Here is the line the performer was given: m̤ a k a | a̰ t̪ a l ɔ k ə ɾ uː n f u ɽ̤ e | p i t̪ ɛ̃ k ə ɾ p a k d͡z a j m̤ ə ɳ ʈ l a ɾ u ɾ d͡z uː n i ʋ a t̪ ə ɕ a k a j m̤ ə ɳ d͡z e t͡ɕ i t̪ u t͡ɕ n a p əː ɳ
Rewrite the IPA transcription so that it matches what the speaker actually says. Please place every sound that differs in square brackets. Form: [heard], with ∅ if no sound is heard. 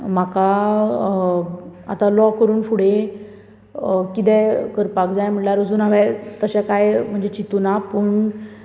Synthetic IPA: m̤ a k a | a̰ t̪ a l ɔ k ə ɾ uː n f u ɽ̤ e | [k] i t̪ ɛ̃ k ə ɾ p a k d͡z a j m̤ ə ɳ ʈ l a ɾ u [∅] d͡z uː n [a] ʋ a t̪ ə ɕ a k a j m̤ ə ɳ d͡z e t͡ɕ i t̪ u [∅] n a p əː ɳ